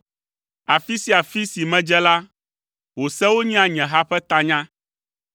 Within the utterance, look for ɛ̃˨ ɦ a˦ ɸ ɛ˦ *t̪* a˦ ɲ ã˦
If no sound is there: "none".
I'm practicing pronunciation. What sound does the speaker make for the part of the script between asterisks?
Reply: t̪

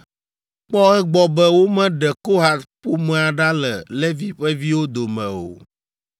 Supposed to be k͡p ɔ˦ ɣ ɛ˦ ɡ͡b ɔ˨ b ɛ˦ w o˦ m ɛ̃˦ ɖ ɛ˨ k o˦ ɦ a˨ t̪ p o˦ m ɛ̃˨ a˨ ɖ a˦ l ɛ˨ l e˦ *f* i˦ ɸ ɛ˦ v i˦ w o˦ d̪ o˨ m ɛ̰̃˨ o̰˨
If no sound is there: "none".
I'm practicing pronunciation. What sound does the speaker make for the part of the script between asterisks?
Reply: v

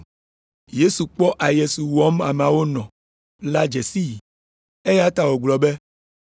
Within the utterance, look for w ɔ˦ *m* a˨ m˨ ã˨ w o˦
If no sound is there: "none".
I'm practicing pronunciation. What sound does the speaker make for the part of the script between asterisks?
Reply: m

